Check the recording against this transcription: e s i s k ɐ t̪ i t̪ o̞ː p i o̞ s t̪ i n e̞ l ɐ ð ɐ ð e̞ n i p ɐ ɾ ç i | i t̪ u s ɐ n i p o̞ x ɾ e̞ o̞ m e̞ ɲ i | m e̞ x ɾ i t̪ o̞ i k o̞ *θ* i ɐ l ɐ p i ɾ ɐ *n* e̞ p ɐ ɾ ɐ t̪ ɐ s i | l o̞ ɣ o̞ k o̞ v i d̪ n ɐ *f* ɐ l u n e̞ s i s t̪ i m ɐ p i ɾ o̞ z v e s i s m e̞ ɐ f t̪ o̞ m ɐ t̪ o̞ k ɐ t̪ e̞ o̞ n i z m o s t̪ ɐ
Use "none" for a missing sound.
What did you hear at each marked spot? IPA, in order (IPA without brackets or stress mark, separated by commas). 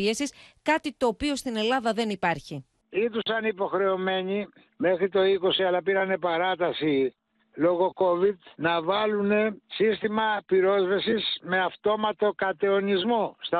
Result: s, n, v